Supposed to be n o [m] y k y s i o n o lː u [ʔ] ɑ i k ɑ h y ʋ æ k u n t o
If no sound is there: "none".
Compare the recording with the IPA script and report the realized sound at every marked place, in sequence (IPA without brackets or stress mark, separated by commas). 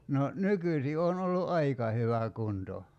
n, ʔ